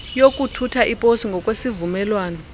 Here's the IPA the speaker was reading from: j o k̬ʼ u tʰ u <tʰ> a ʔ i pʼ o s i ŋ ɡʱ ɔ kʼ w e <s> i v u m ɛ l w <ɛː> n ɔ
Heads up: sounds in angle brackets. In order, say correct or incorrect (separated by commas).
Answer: correct, correct, incorrect